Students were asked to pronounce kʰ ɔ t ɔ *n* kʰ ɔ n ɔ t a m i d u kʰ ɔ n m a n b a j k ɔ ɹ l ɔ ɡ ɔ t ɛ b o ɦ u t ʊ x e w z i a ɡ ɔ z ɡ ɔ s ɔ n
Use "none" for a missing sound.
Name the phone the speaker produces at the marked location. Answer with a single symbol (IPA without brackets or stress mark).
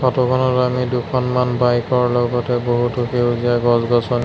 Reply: none